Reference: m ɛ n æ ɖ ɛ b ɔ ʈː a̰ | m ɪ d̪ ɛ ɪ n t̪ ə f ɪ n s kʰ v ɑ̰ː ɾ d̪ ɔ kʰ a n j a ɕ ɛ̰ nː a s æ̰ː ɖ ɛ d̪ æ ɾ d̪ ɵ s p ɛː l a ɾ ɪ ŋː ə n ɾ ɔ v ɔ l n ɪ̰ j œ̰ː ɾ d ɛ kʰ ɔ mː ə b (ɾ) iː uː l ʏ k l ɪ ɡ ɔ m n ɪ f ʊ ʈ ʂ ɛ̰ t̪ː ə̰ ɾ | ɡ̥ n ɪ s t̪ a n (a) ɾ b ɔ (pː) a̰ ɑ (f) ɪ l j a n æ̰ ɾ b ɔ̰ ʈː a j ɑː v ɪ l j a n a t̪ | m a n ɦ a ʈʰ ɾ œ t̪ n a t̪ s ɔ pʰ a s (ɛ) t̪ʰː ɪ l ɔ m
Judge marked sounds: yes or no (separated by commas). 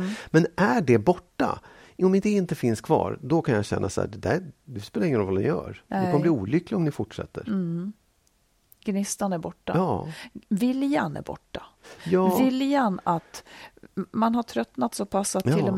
no, no, no, no, no